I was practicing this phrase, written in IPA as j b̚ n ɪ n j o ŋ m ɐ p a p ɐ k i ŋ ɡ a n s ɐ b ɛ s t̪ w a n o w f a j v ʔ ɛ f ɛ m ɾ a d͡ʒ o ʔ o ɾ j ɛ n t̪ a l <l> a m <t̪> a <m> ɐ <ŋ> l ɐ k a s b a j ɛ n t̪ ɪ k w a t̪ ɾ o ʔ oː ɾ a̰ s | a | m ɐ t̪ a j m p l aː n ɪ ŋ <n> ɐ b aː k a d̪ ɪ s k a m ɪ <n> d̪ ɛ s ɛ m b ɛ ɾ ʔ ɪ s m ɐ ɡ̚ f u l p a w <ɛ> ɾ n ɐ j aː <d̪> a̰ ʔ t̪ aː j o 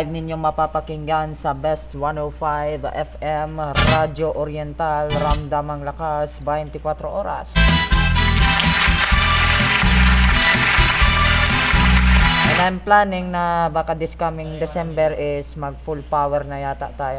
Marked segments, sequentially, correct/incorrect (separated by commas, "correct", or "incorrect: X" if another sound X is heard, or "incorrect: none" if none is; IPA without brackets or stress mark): incorrect: ɾ, incorrect: d̪, correct, correct, correct, incorrect: ŋ, correct, incorrect: t̪